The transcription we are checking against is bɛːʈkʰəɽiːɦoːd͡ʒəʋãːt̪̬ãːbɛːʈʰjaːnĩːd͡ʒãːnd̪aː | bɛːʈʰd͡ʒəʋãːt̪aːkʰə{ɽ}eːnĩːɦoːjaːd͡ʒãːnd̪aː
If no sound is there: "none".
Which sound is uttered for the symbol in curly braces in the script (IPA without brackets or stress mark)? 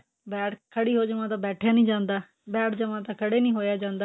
ɽ